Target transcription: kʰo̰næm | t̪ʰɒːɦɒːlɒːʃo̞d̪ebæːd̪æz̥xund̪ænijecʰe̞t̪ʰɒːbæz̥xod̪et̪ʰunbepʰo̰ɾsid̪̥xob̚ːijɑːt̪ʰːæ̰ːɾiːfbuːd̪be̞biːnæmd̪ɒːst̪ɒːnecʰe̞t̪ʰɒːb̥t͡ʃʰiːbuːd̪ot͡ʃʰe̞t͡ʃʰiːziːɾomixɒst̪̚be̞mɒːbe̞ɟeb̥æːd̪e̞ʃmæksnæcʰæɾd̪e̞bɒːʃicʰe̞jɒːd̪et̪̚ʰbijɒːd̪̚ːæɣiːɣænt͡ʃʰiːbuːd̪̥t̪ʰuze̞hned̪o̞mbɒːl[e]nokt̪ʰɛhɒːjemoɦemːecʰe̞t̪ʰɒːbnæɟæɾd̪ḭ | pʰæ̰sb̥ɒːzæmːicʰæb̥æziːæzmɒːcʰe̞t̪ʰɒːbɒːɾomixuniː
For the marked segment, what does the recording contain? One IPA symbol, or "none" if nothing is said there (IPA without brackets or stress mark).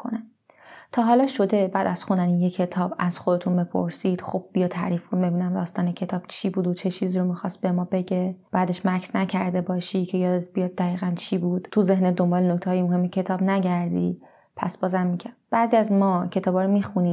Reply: e